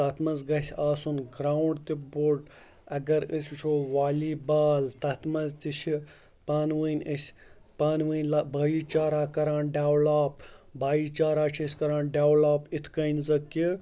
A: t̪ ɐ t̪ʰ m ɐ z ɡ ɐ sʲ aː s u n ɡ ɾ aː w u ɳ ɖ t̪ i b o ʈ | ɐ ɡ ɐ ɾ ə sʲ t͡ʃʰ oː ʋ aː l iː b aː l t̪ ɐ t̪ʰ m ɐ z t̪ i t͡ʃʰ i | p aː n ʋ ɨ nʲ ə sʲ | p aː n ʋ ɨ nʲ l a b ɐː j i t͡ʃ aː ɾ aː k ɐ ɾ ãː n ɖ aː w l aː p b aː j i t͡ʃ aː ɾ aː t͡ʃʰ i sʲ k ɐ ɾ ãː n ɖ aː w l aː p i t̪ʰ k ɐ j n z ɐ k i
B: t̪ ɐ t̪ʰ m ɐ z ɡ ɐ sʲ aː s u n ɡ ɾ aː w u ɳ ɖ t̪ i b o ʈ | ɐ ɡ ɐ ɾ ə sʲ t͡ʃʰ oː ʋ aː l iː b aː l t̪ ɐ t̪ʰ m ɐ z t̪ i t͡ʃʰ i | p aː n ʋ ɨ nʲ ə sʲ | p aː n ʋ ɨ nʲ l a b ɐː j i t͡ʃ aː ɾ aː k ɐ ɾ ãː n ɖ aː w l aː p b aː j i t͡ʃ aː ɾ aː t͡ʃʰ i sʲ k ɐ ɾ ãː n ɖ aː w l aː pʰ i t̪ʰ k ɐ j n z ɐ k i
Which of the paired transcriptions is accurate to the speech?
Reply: A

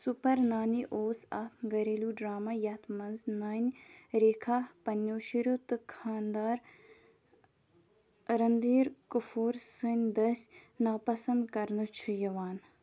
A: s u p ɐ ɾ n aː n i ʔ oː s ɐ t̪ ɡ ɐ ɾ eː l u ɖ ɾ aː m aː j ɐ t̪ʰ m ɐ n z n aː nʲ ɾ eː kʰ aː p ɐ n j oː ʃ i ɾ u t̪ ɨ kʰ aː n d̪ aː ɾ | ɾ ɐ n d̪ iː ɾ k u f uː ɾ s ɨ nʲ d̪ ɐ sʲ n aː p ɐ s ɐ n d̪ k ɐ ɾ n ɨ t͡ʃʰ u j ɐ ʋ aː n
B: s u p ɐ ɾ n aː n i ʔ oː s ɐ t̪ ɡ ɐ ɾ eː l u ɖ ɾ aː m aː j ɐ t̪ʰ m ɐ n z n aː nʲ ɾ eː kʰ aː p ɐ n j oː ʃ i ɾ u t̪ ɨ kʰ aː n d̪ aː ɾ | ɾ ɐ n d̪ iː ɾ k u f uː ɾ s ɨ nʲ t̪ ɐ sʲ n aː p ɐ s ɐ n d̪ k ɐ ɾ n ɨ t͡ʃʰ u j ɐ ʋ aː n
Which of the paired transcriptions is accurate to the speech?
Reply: A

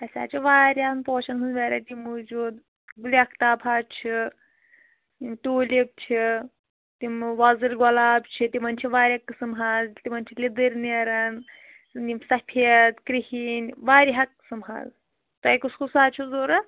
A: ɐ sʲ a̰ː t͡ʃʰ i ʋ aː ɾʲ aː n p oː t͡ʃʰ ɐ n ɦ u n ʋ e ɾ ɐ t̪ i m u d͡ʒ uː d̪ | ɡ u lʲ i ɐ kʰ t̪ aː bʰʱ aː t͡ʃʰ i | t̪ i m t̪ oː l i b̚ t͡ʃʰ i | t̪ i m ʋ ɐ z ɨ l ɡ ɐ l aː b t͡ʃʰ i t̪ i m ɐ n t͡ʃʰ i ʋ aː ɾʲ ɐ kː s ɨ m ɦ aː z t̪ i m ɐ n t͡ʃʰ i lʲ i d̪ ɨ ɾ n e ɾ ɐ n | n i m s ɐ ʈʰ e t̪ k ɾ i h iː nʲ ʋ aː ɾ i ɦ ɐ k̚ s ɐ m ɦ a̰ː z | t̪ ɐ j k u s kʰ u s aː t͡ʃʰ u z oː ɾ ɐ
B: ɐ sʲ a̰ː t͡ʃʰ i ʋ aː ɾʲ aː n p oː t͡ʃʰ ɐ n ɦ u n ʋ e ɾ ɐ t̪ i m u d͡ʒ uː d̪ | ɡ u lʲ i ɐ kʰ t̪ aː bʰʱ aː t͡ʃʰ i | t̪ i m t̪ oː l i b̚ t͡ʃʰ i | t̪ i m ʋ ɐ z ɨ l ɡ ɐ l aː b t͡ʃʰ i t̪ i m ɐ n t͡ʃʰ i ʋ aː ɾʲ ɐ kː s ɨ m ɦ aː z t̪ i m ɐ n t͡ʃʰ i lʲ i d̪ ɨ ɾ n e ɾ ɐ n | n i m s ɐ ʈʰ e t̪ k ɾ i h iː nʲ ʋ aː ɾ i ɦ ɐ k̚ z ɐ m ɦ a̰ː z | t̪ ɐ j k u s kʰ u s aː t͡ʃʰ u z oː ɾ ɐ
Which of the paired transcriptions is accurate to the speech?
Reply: A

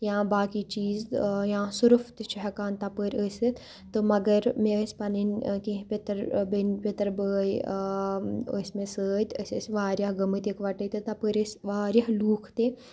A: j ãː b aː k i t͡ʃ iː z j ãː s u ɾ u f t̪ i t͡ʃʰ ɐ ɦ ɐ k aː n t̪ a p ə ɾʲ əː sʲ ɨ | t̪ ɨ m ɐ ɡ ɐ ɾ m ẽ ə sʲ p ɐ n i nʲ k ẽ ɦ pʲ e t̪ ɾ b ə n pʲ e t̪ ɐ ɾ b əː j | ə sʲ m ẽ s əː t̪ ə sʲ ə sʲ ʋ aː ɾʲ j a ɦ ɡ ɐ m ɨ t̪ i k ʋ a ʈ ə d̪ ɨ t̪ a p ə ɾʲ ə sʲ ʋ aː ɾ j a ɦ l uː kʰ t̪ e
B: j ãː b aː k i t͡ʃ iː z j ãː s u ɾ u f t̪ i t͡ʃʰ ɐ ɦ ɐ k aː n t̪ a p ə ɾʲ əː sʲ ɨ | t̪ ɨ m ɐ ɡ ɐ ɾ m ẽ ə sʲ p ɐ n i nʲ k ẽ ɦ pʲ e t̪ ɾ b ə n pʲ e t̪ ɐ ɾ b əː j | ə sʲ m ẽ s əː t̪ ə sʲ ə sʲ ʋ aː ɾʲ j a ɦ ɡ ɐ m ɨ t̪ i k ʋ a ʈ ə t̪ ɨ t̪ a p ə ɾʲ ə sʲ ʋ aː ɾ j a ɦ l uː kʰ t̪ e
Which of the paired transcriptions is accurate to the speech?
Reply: B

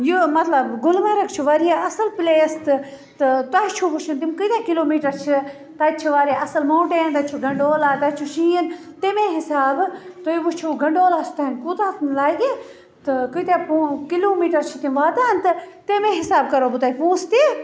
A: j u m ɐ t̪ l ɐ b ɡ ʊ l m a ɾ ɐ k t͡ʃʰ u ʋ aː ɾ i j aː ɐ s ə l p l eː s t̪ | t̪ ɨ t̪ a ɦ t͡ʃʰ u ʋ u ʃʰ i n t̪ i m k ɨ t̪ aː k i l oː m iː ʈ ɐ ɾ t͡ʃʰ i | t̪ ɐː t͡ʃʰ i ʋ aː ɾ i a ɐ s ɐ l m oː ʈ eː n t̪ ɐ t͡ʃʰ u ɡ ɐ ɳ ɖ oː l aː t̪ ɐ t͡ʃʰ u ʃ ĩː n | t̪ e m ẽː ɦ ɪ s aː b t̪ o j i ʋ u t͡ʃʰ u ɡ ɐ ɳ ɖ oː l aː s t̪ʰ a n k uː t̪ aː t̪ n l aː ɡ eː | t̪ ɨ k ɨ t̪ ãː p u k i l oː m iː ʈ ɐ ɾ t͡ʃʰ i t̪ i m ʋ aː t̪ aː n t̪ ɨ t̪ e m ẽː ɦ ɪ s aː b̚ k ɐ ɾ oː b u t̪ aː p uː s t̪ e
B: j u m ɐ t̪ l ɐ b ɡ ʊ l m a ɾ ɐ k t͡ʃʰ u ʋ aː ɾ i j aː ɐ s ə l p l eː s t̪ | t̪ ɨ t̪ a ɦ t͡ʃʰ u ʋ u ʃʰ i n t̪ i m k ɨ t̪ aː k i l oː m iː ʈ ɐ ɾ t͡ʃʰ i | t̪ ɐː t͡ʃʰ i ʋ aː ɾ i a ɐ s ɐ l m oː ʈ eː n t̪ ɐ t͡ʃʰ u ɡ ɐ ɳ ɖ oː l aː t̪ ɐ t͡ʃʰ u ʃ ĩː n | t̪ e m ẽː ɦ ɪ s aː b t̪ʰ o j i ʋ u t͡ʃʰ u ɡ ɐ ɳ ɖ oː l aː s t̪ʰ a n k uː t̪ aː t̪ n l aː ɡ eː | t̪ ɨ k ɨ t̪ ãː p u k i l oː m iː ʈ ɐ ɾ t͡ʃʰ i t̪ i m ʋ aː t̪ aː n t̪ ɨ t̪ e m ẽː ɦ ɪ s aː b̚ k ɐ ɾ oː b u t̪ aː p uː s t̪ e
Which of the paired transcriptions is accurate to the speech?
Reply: A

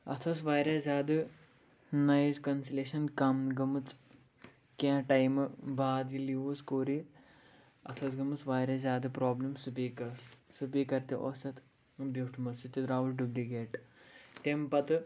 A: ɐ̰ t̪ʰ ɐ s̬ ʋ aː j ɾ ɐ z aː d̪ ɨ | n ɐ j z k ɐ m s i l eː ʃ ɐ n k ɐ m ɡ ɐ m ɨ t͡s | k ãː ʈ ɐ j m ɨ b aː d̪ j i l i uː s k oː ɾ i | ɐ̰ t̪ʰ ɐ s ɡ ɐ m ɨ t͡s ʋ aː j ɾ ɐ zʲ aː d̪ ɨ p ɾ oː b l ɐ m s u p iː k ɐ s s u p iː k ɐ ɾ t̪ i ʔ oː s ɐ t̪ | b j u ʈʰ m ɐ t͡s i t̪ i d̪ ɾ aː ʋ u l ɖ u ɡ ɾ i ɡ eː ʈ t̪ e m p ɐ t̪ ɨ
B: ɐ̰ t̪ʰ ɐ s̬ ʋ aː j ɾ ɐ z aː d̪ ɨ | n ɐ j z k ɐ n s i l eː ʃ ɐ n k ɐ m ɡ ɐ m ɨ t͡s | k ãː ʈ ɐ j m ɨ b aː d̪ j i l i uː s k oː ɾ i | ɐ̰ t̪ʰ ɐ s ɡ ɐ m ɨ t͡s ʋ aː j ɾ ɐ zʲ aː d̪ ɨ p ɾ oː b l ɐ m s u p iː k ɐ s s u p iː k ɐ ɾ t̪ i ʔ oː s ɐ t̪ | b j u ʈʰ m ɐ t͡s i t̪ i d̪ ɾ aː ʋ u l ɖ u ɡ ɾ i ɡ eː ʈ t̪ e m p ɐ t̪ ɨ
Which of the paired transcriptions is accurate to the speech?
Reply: B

